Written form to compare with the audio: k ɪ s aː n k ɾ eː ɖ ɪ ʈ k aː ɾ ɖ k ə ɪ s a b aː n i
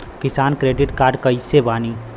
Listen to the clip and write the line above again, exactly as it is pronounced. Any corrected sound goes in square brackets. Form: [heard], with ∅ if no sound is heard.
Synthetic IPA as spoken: k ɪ s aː n k ɾ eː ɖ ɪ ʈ k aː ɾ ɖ k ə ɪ s [e] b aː n i

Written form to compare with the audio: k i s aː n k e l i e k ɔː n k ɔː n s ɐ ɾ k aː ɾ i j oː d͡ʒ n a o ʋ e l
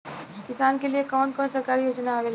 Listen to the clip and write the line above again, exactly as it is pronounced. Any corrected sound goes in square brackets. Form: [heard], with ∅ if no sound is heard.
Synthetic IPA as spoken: k [ɪ] s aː n k e l i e k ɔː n k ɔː n s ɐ ɾ k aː ɾ i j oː d͡ʒ n a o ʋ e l

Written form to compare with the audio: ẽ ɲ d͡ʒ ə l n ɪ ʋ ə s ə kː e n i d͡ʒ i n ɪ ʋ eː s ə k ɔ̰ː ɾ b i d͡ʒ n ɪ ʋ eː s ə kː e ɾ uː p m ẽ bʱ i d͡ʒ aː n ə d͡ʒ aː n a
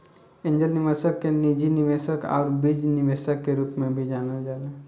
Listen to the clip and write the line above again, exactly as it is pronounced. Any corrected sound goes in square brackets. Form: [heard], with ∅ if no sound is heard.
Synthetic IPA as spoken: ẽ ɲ d͡ʒ ə l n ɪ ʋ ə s ə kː e n i d͡ʒ i n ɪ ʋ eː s ə k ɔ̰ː ɾ b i d͡ʒ n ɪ ʋ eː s ə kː e ɾ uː p m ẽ bʱ i d͡ʒ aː n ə d͡ʒ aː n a

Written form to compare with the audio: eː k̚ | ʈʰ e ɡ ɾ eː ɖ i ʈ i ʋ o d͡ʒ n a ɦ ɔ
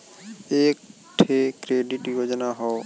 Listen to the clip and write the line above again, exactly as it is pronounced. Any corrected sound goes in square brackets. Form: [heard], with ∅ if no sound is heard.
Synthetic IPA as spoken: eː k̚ | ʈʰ e [k] ɾ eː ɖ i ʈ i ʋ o d͡ʒ n a ɦ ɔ

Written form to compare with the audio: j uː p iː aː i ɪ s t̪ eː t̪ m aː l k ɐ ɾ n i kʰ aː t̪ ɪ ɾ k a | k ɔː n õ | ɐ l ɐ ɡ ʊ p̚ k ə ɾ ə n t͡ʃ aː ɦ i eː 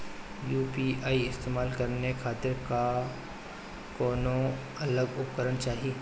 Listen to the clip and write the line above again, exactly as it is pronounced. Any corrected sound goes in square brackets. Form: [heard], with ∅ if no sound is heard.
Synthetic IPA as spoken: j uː p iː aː i ɪ s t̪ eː [∅] m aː l k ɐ ɾ n [e] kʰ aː t̪ ɪ ɾ k a | k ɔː n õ | ɐ l [ə] ɡ ʊ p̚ k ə ɾ ə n t͡ʃ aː ɦ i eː

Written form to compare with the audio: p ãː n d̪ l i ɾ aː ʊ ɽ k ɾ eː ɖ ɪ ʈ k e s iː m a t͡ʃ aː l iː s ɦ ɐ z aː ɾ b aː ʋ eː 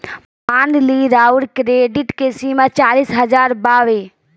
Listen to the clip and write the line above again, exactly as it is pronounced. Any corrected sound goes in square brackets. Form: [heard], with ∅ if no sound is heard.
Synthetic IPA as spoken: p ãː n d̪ l i ɾ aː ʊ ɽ k ɾ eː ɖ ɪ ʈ k e s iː m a t͡ʃ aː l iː s ɦ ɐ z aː ɾ b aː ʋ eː

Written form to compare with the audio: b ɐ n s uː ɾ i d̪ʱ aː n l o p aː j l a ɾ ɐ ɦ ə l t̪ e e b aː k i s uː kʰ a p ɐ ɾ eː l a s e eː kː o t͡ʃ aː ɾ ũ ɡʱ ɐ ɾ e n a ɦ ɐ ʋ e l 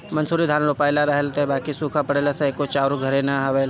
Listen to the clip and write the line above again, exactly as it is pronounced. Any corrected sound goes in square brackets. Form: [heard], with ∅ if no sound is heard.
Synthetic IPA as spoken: [m] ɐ n s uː ɾ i d̪ʱ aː n l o p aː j l a ɾ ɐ ɦ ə l t̪ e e b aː k i s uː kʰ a p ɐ [ɽ] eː l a s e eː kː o t͡ʃ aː ɾ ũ ɡʱ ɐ ɾ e n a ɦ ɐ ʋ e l

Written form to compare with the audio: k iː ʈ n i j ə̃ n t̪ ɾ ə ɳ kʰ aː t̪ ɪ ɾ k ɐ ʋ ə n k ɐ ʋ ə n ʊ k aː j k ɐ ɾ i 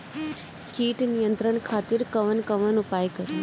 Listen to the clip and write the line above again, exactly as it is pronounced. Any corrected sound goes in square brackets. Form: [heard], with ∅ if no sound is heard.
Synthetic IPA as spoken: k iː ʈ n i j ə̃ n t̪ ɾ ə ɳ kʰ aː t̪ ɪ ɾ k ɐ ʋ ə n k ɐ ʋ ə n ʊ [p] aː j k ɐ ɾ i

